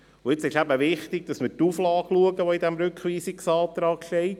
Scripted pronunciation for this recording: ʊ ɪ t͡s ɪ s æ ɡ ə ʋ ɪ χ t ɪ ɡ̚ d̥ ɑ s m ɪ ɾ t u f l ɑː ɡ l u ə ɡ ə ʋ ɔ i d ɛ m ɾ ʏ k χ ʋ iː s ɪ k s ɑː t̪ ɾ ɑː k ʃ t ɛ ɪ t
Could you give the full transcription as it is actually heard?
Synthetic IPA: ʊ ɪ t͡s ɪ ʃ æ b ə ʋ ɪ χ t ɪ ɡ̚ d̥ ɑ s m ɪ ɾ t u f l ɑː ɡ l u ə ɡ ə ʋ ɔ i d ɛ m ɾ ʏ k χ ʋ iː s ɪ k s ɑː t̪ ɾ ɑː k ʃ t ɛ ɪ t